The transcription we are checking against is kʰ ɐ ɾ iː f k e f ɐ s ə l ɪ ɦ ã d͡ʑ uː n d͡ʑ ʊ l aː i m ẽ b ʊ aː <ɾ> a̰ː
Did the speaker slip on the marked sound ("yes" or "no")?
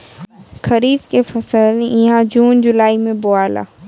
yes